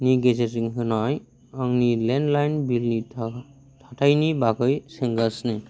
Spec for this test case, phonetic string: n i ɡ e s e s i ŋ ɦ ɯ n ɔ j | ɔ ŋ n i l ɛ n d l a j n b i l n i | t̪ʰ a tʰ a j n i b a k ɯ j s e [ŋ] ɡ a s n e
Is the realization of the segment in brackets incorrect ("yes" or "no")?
no